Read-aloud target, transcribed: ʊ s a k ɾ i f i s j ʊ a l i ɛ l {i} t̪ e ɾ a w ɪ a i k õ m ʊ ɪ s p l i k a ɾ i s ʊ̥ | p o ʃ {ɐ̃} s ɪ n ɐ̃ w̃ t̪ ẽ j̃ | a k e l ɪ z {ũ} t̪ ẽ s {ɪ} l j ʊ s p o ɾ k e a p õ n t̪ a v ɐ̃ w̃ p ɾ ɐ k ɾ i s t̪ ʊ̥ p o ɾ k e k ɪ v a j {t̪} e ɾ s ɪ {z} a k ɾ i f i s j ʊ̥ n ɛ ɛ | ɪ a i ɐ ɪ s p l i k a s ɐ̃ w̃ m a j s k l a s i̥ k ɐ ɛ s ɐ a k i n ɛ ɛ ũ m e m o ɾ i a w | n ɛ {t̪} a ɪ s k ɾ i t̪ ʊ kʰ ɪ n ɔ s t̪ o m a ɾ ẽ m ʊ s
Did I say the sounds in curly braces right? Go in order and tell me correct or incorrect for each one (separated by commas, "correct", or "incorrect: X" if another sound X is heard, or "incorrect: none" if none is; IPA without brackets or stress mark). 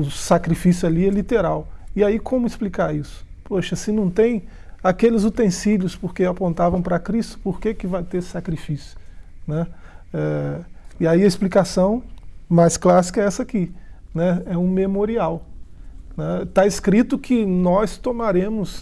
correct, incorrect: ɐ, incorrect: u, incorrect: i, correct, incorrect: s, correct